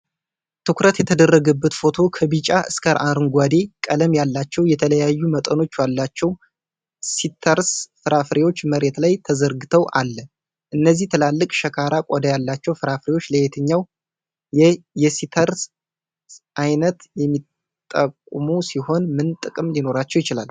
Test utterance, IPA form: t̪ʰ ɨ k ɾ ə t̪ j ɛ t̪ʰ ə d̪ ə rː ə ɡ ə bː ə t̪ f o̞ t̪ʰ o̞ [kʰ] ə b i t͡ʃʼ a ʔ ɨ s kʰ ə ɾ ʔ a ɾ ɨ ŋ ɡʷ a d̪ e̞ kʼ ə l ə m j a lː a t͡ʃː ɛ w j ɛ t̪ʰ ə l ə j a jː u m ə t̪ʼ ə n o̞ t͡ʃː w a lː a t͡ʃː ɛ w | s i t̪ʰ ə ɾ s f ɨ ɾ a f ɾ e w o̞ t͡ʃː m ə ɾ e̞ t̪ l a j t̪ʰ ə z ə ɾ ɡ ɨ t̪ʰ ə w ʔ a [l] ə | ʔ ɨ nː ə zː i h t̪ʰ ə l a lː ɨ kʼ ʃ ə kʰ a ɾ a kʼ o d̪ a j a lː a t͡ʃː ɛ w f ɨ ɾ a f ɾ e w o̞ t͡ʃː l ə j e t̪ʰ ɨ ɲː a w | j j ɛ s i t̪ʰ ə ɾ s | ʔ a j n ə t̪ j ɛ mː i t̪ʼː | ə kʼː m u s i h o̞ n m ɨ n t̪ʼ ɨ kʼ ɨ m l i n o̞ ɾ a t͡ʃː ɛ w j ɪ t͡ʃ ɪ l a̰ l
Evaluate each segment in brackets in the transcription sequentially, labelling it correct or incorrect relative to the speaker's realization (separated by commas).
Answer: correct, incorrect